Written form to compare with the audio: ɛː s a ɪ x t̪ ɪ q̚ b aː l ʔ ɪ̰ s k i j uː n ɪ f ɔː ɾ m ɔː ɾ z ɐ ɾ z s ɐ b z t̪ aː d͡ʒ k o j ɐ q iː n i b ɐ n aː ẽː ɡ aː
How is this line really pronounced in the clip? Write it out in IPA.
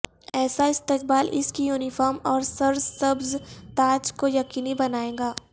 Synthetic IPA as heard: ɛː s a ɪ s t̪ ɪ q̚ b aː l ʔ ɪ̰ s k i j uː n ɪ f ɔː ɾ m ɔː ɾ s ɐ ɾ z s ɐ b z t̪ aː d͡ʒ k o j ɐ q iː n i b ɐ n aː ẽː ɡ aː